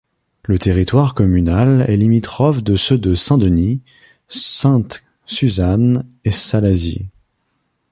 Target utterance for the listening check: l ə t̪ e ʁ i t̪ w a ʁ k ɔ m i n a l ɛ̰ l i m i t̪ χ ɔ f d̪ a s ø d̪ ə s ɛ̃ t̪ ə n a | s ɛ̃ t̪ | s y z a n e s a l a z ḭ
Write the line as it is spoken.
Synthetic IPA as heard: l ə t̪ e ʁ i t̪ w a ʁ k ɔ m y n a l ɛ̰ l i m i t̪ χ ɔ f d̪ ə s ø d̪ ə s ɛ̃ d̪ ə n i | s ɛ̃ t̪ | s y z a n e s a l a z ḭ

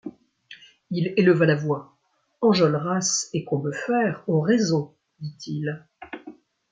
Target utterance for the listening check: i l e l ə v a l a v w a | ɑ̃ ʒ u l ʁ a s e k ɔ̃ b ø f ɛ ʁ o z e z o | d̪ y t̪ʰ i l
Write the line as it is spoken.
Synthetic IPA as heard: i l e l ə v a l a v w a | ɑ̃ ʒ ɔ l ʁ a s e k ɔ̃ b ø f ɛ ʁ o ʁ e z o | d̪ i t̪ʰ i l

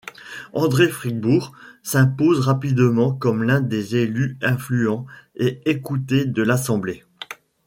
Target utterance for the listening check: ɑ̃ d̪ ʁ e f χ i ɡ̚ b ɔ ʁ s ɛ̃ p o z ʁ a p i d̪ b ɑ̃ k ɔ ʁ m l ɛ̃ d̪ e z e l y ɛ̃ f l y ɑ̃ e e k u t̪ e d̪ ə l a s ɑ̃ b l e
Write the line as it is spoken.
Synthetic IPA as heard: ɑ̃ d̪ ʁ e f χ i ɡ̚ b u ʁ s ɛ̃ p o z ʁ a p i d̪ m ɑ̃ k ɔ m l ɛ̃ d̪ e z e l y ɛ̃ f l y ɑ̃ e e k u t̪ e d̪ ə l a s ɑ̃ b l e

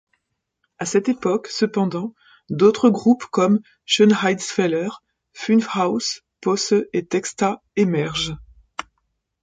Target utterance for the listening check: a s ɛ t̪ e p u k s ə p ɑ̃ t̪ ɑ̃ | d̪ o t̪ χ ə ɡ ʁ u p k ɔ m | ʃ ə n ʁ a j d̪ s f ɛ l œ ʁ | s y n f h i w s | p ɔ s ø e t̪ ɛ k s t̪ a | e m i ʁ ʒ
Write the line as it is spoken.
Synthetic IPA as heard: a s ɛ t̪ e p ɔ k s ə p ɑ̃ d̪ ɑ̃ | d̪ o t̪ χ ə ɡ ʁ u p k ɔ m | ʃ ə n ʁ a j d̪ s f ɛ l œ ʁ | f y n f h a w s | p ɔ s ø e t̪ ɛ k s t̪ a | e m ɛ ʁ ʒ

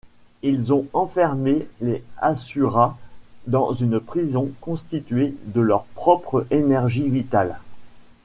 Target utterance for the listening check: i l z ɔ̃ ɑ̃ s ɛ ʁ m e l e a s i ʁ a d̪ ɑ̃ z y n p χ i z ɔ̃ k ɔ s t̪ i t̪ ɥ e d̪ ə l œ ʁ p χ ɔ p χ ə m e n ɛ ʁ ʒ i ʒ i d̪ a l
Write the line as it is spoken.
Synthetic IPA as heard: i l z ɔ̃ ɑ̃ f ɛ ʁ m e l e a s y ʁ a d̪ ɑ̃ z y n p χ i z ɔ̃ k ɔ̃ s t̪ i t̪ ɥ e d̪ ə l œ ʁ p χ ɔ p χ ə e n ɛ ʁ ʒ i v i t̪ a l

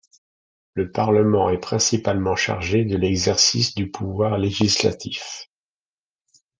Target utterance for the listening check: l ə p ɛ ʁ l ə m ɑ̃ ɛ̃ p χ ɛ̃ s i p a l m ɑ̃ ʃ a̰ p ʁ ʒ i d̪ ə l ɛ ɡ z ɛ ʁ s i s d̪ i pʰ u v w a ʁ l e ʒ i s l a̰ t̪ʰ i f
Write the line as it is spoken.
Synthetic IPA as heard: l ə p a ʁ l ə m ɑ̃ ɛ p χ ɛ̃ s i p a l m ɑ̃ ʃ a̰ ʁ ʒ e d̪ ə l ɛ ɡ z ɛ ʁ s i s d̪ y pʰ u v w a ʁ l e ʒ i s l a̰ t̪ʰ i f

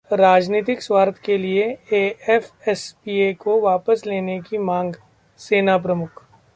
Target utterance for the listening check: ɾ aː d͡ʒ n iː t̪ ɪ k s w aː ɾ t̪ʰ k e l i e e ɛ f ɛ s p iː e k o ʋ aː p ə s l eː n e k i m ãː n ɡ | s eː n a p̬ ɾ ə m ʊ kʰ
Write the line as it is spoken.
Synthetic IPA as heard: ɾ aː d͡ʒ n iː t̪ ɪ k s w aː ɾ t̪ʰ k e l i e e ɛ f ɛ s p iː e k o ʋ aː p ə s l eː n e k i m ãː ŋ ɡ | s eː n a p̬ ɾ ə m ʊ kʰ

